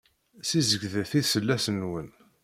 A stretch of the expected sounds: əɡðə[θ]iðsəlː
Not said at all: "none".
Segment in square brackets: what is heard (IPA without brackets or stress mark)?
θ